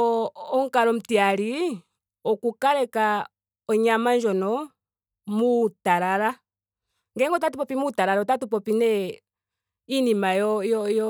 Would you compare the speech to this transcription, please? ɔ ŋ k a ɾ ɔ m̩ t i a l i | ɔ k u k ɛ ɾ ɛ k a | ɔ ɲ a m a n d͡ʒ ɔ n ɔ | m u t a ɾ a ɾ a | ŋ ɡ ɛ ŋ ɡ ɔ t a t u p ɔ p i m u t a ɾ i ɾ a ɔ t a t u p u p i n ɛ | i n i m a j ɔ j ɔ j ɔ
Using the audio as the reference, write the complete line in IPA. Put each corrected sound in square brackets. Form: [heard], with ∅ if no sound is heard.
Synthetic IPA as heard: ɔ ŋ k a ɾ ɔ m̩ t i a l i | ɔ k u k [a] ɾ ɛ k a | ɔ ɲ a m a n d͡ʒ ɔ n ɔ | m u t a ɾ a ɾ a | ŋ ɡ ɛ ŋ ɡ ɔ t a t u p ɔ p i m u t a ɾ [a] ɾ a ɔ t a t u p [ɔ] p i n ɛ | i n i m a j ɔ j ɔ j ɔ